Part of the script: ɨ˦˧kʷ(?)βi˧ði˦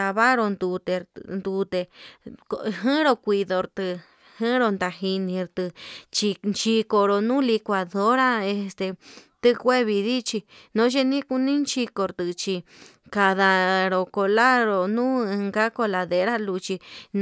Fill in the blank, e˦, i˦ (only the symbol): e˦